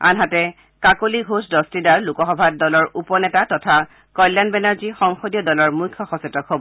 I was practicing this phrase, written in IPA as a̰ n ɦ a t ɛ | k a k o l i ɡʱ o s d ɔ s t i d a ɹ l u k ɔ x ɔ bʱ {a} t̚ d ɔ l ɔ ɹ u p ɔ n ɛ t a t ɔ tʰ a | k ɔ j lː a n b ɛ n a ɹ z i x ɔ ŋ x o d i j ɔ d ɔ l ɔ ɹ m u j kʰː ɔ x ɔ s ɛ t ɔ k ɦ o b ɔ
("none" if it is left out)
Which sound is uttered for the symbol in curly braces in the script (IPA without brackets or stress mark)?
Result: a